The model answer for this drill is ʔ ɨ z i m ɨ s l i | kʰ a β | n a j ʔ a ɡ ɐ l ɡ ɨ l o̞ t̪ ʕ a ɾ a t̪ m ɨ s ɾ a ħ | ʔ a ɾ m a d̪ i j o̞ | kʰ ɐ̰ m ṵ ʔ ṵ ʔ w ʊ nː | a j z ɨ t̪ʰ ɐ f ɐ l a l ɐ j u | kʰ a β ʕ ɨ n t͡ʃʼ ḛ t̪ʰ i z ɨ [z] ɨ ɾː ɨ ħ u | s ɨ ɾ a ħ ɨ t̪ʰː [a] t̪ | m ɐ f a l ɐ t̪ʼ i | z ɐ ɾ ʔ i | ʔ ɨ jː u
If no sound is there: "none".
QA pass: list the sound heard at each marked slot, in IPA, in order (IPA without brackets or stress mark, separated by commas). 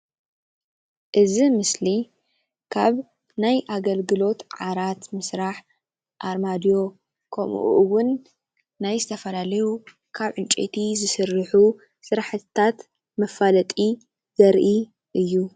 s, a